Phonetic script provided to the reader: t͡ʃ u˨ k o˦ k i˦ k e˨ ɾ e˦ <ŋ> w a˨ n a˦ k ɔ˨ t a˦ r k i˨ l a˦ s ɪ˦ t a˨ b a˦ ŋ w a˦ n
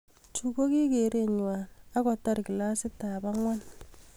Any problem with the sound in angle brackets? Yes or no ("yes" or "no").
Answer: yes